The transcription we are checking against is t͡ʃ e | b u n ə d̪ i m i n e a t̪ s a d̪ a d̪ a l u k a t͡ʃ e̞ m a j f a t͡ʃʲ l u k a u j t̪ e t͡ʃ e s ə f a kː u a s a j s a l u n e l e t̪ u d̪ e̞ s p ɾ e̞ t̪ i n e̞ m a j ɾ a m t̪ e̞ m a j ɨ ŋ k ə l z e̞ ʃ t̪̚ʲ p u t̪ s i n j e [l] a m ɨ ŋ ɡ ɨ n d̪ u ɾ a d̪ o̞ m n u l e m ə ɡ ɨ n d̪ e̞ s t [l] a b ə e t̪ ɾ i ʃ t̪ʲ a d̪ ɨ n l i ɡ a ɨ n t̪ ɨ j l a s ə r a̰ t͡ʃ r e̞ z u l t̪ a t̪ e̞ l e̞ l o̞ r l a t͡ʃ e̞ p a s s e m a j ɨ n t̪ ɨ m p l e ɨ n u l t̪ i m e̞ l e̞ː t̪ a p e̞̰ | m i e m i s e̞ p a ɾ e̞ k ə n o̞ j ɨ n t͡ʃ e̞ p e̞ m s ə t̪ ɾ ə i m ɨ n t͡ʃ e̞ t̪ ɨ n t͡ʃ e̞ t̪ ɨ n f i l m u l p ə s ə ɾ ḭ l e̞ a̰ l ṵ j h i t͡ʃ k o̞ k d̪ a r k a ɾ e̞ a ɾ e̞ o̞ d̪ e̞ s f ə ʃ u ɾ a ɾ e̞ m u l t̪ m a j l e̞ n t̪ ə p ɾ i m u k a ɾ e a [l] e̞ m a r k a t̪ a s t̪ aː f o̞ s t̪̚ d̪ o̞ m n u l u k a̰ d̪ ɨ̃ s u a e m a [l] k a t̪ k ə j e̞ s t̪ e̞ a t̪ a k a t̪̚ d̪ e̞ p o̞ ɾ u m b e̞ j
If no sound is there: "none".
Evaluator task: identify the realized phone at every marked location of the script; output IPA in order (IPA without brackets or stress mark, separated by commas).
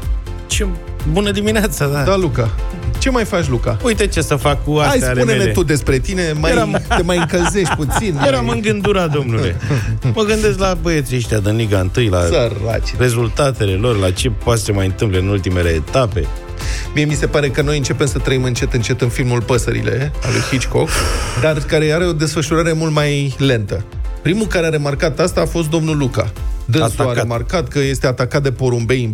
ɾ, l, ɾ, r